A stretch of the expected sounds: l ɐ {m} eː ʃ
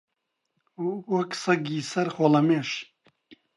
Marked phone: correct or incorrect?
correct